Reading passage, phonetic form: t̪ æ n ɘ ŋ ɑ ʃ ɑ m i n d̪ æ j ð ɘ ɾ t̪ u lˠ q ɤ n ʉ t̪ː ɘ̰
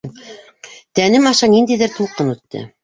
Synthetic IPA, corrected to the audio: t̪ æ n ɘ m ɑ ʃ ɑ n i n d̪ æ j ð ɘ ɾ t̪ u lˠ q ɤ n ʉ t̪ː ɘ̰